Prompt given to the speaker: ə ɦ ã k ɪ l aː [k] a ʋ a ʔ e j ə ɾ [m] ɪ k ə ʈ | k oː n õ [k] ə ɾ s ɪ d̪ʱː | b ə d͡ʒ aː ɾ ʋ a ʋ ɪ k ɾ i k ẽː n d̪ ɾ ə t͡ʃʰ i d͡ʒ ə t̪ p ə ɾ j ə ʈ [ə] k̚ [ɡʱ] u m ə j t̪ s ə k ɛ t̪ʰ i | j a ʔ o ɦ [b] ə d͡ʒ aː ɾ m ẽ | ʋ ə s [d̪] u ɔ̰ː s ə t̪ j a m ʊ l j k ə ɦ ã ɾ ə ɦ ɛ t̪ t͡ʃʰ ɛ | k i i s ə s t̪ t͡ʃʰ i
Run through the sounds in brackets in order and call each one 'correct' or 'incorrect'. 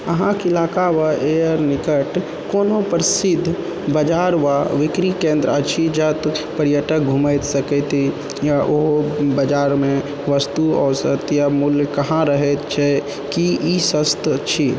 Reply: correct, incorrect: n, incorrect: p, correct, correct, correct, incorrect: t̪

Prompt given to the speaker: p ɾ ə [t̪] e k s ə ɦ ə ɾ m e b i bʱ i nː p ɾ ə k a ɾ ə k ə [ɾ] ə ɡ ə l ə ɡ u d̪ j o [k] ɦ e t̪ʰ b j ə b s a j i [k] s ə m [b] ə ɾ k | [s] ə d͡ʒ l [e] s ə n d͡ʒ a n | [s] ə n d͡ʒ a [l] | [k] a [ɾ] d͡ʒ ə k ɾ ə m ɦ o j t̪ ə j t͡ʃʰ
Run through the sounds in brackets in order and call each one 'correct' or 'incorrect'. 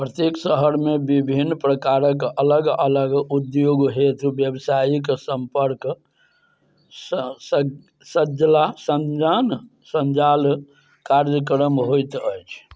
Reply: correct, incorrect: l, incorrect: ɡ, correct, incorrect: p, correct, incorrect: a, correct, correct, correct, correct

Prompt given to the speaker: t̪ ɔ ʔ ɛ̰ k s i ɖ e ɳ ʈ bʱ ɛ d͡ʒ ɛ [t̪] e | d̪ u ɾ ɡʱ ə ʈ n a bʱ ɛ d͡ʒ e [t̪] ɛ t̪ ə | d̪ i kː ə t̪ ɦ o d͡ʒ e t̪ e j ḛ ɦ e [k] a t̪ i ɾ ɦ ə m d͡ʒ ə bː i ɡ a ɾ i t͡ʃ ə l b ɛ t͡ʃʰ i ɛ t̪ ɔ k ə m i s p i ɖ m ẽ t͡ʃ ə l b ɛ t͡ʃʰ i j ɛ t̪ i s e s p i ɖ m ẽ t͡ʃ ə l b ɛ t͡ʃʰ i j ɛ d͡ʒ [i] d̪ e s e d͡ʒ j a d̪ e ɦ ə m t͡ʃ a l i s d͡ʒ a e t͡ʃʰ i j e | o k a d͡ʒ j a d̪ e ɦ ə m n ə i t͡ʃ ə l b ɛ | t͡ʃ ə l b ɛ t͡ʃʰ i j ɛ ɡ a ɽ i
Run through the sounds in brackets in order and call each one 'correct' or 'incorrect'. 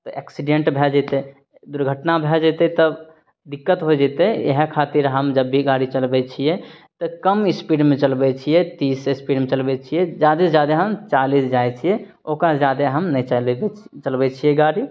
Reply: correct, correct, incorrect: kʰ, incorrect: a

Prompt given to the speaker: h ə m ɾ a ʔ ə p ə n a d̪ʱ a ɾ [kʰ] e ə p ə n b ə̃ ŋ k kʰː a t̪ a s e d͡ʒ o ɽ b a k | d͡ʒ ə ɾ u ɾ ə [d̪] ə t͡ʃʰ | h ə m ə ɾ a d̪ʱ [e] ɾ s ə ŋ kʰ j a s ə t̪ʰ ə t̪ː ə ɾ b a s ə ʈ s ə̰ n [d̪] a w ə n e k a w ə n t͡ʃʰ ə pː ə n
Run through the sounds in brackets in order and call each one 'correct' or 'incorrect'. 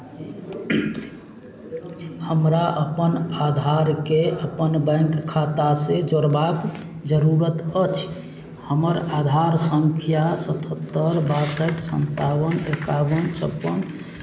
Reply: incorrect: k, incorrect: t̪, incorrect: a, incorrect: t̪

